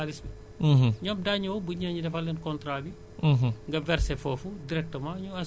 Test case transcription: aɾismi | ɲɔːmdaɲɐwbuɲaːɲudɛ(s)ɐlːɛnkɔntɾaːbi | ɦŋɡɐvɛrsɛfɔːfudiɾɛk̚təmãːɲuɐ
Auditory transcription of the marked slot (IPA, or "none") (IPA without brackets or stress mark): f